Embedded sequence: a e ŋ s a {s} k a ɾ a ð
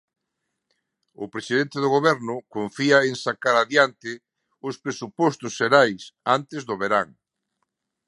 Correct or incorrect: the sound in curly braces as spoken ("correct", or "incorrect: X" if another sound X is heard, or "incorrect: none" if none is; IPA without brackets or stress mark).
incorrect: none